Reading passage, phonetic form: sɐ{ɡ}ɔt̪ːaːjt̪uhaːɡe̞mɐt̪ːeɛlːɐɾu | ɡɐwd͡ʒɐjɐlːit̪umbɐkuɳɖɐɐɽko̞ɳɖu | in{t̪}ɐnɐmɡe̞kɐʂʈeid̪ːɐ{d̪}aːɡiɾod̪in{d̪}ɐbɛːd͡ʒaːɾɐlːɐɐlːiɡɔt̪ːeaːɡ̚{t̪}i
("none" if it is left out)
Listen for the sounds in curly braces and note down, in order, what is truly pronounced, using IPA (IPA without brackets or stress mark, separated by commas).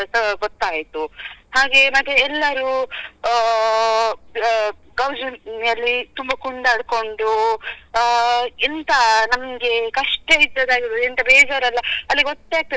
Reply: ɡ, t̪, d̪, t̪, t̪